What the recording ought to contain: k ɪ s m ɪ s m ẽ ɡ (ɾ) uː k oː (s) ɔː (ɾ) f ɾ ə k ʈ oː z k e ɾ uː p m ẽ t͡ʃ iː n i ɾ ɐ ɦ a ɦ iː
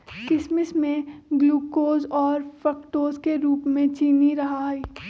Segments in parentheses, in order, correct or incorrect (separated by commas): incorrect, incorrect, correct